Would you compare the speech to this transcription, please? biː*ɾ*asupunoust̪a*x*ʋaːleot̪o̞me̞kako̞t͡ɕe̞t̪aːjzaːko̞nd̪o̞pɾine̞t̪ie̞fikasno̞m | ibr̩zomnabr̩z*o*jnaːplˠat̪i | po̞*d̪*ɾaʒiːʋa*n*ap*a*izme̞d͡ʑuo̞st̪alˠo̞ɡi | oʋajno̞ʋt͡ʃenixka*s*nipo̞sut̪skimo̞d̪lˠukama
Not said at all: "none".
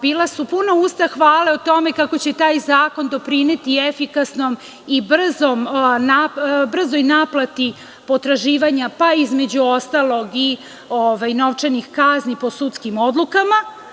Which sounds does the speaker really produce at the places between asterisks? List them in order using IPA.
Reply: l, x, o, t̪, ɲ, a, z

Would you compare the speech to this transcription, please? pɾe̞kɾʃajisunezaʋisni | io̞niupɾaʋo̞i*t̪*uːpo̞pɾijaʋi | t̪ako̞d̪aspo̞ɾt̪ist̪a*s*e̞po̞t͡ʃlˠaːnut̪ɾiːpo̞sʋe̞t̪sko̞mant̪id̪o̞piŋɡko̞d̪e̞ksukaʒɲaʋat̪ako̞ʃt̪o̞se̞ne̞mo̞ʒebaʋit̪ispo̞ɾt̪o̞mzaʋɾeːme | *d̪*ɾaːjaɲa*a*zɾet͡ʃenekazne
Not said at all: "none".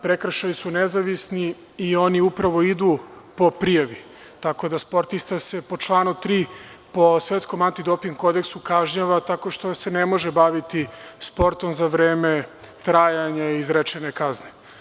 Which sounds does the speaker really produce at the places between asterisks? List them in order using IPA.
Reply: d̪, s, t̪, i

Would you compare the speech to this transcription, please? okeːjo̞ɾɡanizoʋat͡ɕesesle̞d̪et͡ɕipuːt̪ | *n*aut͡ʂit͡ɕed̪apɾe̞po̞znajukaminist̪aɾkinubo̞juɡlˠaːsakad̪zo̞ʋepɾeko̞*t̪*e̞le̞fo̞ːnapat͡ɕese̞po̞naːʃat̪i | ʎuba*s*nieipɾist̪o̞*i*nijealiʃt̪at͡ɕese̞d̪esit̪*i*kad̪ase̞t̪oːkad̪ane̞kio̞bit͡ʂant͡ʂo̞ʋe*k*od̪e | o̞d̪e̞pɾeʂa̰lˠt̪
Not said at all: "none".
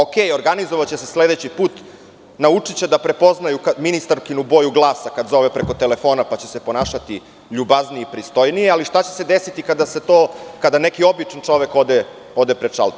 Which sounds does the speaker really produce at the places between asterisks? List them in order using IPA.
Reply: n, t̪, z, j, i, k

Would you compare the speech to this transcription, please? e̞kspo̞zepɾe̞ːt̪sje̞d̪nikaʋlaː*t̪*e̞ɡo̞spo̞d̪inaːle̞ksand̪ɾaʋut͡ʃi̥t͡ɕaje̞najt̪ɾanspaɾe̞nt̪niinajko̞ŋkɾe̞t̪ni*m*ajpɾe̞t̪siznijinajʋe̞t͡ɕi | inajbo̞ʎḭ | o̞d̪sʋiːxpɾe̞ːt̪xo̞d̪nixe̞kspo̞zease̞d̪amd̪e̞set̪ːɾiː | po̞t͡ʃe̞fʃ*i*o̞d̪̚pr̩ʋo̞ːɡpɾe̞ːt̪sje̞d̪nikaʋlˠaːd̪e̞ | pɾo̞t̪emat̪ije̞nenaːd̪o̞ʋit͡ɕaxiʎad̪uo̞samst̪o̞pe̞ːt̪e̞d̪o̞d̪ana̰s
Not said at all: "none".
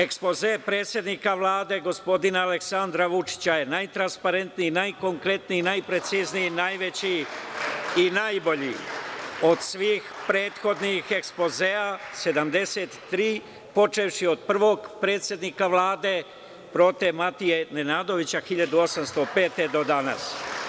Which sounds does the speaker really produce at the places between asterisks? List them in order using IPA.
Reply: d̪, n, i

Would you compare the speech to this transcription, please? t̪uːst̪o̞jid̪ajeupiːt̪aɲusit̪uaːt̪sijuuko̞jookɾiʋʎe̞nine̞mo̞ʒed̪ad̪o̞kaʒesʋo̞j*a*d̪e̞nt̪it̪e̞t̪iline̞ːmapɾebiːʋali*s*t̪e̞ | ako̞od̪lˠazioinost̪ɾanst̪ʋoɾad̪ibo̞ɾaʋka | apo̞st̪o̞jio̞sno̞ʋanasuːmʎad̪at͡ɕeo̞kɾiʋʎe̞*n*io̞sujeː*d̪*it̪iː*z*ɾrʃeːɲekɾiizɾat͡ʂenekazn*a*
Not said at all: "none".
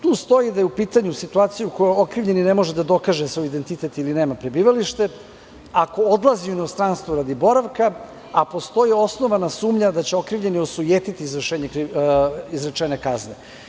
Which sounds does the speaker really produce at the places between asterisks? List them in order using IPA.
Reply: i, ʃ, n, t̪, z, e

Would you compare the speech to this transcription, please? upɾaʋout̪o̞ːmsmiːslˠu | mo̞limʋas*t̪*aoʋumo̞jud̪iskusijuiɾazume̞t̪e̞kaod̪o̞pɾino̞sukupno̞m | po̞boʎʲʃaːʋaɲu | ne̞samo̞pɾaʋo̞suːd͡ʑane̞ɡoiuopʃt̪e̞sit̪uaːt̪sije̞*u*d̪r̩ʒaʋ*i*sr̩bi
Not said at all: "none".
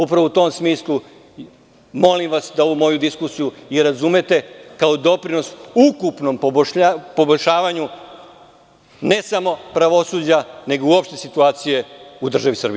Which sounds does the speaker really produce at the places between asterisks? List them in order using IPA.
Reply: d̪, u, i

